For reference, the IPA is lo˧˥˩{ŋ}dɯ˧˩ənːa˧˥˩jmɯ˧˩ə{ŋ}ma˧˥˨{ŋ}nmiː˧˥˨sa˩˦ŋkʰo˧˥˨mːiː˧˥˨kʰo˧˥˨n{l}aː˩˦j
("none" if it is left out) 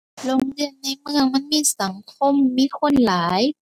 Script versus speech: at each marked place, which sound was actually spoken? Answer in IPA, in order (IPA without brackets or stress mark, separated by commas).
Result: ŋ, ŋ, none, l